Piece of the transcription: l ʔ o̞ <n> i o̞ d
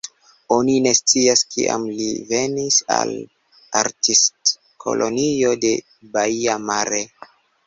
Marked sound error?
no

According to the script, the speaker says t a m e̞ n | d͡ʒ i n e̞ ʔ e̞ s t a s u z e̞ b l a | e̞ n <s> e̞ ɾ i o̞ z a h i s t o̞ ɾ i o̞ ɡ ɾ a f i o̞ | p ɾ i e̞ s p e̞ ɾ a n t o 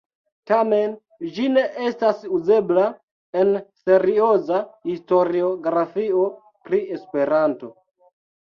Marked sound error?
no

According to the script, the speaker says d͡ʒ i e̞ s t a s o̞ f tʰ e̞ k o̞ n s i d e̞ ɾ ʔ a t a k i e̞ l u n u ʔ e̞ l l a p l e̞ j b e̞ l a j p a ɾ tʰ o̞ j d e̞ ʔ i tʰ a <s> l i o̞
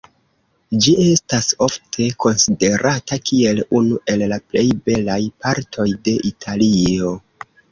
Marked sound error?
yes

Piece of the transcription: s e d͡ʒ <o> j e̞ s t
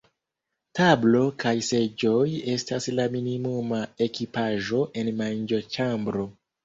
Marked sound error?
no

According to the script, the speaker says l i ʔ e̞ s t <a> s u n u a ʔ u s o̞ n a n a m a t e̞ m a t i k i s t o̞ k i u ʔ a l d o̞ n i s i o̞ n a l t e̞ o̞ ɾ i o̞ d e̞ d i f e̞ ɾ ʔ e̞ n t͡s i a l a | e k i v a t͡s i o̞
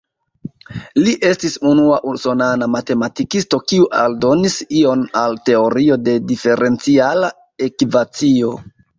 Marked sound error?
yes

